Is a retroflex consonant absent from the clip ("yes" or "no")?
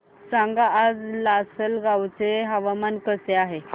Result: yes